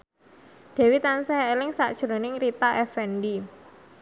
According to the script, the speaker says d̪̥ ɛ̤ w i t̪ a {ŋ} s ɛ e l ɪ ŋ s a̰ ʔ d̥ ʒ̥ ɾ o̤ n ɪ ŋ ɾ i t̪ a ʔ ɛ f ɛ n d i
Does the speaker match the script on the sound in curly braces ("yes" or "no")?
no